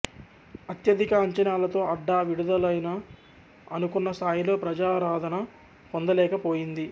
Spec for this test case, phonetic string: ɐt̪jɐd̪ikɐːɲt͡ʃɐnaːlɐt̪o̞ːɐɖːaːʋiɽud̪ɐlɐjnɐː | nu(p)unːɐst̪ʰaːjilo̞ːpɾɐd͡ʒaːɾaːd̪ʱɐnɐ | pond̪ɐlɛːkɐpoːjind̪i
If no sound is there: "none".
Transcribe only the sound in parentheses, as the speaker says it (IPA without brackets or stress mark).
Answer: k